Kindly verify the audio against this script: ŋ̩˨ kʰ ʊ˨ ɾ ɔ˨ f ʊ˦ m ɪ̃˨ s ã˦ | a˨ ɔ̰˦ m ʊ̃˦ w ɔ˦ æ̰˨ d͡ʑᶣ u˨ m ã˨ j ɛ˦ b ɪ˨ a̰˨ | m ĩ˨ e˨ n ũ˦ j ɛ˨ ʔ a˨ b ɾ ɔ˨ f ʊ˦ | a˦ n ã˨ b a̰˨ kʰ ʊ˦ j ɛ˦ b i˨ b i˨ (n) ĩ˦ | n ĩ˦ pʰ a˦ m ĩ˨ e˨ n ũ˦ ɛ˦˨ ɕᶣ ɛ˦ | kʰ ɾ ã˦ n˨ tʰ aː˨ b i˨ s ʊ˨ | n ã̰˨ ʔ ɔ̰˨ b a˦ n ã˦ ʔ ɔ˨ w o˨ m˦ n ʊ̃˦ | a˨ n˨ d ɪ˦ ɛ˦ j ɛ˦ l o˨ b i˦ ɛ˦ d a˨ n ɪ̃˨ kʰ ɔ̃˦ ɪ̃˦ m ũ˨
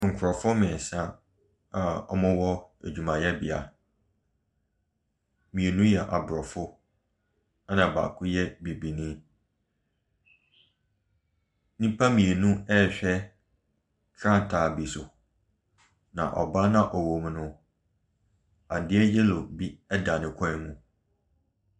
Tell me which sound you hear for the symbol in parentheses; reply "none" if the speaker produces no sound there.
n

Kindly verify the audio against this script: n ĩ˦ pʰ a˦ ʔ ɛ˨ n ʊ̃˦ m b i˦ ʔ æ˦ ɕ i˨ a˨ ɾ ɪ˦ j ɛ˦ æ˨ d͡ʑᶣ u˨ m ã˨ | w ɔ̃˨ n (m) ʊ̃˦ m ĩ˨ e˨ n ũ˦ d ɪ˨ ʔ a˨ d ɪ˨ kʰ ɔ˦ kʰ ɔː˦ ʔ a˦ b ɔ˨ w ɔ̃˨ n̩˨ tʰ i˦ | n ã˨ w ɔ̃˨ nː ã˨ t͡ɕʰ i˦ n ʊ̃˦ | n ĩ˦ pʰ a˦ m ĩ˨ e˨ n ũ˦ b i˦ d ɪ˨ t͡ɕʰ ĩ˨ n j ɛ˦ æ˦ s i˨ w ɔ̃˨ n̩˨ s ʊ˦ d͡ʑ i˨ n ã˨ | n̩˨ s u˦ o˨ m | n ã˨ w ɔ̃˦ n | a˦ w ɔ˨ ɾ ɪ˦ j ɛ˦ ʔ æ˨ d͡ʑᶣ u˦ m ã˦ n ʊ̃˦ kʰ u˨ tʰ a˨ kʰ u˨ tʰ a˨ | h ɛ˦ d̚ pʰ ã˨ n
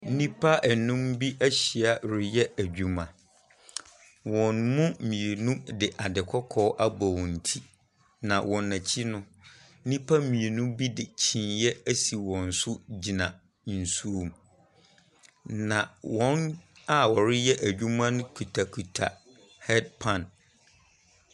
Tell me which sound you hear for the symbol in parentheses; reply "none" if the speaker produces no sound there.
m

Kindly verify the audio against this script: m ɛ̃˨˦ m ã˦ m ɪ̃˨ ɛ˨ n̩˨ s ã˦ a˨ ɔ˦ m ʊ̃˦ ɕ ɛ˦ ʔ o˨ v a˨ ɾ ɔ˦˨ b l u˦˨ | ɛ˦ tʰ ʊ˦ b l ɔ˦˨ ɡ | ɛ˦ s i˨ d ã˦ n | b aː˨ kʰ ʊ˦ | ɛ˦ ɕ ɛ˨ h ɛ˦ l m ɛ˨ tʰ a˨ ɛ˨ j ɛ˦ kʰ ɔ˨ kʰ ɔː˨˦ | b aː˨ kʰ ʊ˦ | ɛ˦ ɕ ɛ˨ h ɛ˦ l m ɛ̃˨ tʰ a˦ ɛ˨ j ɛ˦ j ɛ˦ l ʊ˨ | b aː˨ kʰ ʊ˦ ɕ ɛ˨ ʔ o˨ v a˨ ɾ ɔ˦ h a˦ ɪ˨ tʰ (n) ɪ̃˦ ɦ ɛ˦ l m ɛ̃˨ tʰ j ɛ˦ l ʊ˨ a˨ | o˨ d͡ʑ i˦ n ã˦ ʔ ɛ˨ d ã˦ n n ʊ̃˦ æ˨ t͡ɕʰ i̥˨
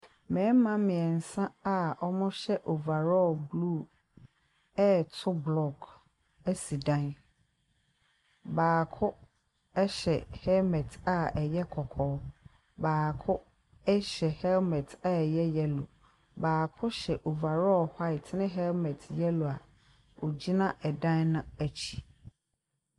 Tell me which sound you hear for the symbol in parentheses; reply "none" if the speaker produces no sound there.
n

